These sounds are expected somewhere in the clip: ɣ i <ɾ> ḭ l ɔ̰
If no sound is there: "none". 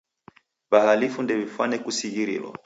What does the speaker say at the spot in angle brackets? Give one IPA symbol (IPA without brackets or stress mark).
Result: ɾ